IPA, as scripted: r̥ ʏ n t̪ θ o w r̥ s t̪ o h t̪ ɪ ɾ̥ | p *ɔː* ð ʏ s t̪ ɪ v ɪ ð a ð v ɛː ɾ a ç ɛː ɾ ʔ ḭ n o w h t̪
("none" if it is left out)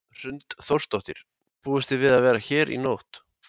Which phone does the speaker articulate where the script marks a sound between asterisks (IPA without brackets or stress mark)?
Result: uː